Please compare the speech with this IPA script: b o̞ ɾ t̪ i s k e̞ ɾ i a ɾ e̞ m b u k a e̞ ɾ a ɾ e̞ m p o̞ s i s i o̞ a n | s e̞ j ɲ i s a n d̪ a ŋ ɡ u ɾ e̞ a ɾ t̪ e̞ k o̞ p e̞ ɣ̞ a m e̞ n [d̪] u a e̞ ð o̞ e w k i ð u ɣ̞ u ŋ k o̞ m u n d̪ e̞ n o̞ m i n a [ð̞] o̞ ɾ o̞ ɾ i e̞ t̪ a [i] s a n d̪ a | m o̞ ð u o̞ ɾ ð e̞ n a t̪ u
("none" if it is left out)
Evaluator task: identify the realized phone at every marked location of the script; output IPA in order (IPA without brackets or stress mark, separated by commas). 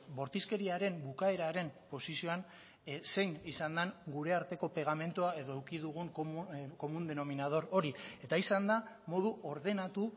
t̪, ð̞, i